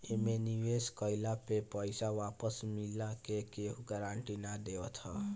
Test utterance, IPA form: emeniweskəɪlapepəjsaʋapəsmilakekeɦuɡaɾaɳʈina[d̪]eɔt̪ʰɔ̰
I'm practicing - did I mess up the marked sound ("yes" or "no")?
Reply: no